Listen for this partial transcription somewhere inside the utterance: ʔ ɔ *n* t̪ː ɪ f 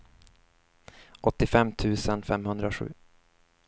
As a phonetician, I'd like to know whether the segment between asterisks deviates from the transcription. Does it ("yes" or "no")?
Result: yes